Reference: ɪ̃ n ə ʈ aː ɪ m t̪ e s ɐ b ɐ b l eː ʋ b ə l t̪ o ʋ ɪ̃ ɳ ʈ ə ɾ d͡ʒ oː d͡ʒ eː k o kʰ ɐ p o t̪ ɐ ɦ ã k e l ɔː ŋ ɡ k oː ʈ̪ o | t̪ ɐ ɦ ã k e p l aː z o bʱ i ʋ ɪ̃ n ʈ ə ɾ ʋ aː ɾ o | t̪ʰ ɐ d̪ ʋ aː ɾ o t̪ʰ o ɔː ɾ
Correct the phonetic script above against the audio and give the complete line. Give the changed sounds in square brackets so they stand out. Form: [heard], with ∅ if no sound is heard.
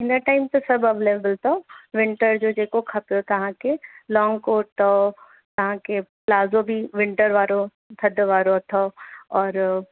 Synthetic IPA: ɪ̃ n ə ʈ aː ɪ m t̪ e s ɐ b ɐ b l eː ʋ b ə l t̪ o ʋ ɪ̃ ɳ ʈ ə ɾ d͡ʒ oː d͡ʒ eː k o kʰ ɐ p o t̪ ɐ ɦ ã k e l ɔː ŋ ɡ k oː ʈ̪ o | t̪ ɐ ɦ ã k e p l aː z o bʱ i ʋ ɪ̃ [ɳ] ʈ ə ɾ ʋ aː ɾ o | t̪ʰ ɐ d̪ ʋ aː ɾ o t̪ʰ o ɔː ɾ

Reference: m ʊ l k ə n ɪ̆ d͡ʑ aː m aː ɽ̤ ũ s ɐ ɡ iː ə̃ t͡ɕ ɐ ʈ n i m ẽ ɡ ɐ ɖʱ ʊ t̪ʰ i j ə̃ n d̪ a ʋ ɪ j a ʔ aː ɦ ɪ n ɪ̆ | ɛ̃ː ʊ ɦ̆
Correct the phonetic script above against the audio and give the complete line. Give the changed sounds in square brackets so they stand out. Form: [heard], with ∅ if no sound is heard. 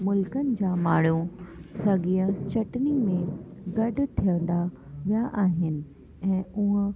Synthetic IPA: m ʊ l k ə n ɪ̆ d͡ʑ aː m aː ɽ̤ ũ s ɐ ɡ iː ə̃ t͡ɕ ɐ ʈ n i m ẽ ɡ ɐ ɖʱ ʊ t̪ʰ i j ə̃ n d̪ a ʋ [i] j a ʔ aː ɦ ɪ n ɪ̆ | ɛ̃ː ʊ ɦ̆

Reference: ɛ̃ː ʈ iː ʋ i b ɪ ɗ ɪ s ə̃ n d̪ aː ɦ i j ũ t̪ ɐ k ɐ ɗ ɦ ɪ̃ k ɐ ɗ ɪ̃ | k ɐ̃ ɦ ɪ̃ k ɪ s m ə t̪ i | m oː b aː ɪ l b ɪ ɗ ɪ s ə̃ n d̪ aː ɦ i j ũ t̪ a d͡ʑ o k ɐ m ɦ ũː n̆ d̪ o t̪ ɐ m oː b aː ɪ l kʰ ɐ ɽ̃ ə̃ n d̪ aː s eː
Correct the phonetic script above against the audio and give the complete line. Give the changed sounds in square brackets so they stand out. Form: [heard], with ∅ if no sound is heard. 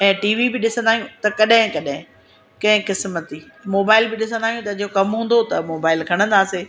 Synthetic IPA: ɛ̃ː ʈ iː ʋ i b ɪ ɗ ɪ s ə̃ n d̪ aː ɦ i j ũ t̪ ɐ k ɐ ɗ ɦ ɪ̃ k ɐ ɗ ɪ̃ | k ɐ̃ ɦ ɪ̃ k ɪ s m ə t̪ i | m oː b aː ɪ l b ɪ ɗ ɪ s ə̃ n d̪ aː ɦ i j ũ t̪ [ɐ] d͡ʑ o k ɐ m ɦ ũː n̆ d̪ o t̪ ɐ m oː b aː ɪ l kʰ ɐ ɽ̃ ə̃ n d̪ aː s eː

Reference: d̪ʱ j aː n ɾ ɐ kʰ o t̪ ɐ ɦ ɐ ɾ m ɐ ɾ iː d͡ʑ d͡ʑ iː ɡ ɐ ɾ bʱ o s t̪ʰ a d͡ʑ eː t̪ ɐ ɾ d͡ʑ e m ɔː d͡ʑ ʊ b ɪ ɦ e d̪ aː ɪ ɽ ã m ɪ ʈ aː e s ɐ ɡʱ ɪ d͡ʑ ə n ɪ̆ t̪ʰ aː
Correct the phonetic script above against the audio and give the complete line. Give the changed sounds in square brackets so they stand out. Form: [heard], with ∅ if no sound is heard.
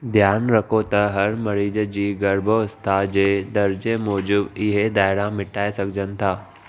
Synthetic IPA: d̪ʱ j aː n ɾ ɐ kʰ o t̪ ɐ ɦ ɐ ɾ m ɐ ɾ iː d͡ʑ d͡ʑ iː ɡ ɐ ɾ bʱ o s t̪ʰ a d͡ʑ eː [d̪] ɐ ɾ d͡ʑ e m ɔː d͡ʑ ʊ b ɪ ɦ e d̪ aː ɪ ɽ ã m ɪ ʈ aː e s ɐ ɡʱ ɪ d͡ʑ ə n ɪ̆ t̪ʰ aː

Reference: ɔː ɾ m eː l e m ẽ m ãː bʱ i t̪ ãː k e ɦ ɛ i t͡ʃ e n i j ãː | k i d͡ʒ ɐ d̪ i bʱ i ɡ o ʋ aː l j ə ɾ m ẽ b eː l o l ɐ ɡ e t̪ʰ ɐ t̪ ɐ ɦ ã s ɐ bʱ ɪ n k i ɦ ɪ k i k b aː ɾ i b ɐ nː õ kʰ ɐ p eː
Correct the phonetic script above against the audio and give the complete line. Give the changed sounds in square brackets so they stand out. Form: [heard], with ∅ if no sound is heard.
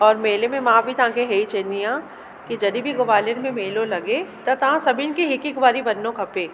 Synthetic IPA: ɔː ɾ m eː l e m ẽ m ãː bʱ i t̪ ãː k e ɦ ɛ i t͡ʃ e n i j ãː | k i d͡ʒ ɐ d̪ i bʱ i ɡ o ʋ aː l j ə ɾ m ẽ [m] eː l o l ɐ ɡ e [t̪] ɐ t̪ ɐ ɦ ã s ɐ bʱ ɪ n k i ɦ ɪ k i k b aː ɾ i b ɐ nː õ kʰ ɐ p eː

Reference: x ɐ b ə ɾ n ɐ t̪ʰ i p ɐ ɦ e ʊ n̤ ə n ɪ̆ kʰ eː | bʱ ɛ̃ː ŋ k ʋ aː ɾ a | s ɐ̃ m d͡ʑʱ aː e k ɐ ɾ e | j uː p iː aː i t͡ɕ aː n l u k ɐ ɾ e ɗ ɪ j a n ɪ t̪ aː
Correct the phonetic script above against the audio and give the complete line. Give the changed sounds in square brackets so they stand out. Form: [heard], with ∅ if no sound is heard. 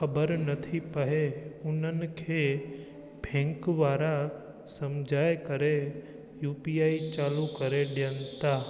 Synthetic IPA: x ɐ b ə ɾ n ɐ t̪ʰ i p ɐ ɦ e ʊ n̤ ə n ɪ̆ kʰ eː | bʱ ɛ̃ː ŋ k ʋ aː ɾ a | s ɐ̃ m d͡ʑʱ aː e k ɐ ɾ e | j uː p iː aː i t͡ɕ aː [∅] l u k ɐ ɾ e ɗ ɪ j [ə] n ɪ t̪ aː

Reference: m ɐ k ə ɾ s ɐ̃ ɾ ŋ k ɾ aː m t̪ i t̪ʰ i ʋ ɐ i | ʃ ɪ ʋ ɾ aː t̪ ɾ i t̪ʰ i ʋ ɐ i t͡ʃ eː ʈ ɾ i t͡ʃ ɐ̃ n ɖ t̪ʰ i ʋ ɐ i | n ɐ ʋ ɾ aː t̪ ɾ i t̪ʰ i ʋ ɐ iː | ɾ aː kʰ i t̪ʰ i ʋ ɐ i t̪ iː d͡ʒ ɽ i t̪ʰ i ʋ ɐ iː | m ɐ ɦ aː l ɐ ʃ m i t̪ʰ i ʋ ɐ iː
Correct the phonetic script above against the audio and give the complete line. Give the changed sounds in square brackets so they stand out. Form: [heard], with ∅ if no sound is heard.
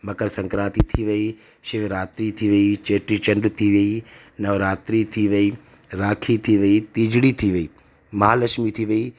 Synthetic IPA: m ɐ k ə ɾ s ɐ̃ [∅] ŋ k ɾ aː [∅] t̪ i t̪ʰ i ʋ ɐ i | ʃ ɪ ʋ ɾ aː t̪ ɾ i t̪ʰ i ʋ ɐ i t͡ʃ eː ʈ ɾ i t͡ʃ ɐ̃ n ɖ t̪ʰ i ʋ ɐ i | n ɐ ʋ ɾ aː t̪ ɾ i t̪ʰ i ʋ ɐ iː | ɾ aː kʰ i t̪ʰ i ʋ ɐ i t̪ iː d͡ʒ ɽ i t̪ʰ i ʋ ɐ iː | m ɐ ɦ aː l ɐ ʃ m i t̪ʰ i ʋ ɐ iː

